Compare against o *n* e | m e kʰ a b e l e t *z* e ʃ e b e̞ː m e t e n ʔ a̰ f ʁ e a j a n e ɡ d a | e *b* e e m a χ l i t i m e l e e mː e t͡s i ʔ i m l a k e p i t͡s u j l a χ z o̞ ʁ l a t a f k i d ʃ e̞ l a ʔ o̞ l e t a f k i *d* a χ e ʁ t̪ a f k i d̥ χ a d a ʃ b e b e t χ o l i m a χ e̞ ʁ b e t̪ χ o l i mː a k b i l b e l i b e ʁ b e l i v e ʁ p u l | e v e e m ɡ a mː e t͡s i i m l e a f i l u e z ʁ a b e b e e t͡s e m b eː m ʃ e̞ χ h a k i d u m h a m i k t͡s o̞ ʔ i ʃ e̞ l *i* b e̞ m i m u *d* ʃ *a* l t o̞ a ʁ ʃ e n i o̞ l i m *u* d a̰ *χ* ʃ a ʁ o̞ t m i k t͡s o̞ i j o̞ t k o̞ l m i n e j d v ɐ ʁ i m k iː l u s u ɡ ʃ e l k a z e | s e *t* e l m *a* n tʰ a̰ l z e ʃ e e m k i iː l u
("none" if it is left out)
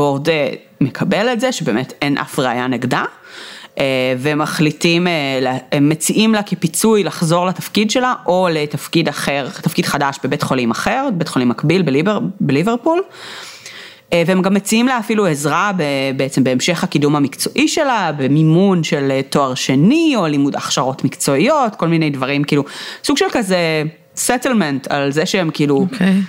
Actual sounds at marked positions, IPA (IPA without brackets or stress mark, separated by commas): d, z, v, d, a, n, e, u, χ, t, e